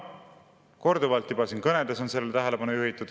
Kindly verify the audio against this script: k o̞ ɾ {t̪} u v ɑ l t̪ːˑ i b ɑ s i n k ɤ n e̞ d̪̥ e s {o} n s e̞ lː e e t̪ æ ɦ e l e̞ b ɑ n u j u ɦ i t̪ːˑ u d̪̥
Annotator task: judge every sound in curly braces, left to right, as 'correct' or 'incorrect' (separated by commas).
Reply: incorrect, correct